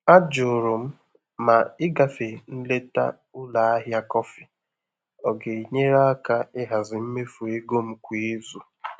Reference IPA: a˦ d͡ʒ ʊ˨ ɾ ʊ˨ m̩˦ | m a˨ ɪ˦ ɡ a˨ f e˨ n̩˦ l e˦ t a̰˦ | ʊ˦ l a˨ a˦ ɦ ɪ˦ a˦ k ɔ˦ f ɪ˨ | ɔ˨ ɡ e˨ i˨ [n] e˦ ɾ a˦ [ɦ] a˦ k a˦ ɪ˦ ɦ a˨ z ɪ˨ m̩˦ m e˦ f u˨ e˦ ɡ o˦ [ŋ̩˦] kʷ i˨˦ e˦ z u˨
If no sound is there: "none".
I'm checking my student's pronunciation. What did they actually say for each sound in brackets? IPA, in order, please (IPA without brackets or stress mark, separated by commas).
ɲ, none, m̩˦